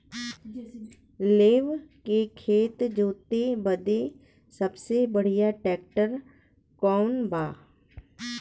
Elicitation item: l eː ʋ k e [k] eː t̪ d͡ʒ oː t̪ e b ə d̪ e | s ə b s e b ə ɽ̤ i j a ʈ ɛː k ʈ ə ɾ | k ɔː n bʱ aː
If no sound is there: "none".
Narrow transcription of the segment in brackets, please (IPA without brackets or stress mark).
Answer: kʰ